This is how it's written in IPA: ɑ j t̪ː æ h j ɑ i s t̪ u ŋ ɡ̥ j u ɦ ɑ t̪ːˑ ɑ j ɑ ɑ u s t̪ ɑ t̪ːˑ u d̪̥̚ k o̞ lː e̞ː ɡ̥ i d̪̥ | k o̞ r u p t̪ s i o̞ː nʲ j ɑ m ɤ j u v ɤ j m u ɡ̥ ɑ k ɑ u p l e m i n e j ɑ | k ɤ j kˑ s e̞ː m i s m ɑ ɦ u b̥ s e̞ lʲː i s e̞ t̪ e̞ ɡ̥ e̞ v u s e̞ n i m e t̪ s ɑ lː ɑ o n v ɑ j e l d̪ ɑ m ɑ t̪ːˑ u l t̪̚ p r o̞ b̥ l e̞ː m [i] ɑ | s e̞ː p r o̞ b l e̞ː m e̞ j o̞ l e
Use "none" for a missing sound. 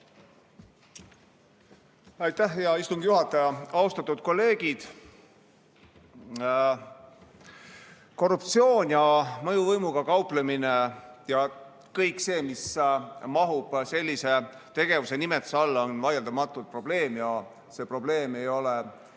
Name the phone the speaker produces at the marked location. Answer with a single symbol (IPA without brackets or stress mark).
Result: j